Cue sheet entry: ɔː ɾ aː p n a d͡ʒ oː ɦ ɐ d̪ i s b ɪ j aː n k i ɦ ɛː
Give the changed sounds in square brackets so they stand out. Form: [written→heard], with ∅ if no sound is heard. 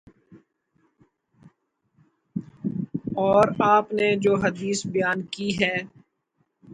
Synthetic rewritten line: ɔː ɾ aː p n [a→e] d͡ʒ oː ɦ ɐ d̪ [i→iː] s b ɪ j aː n k i ɦ ɛː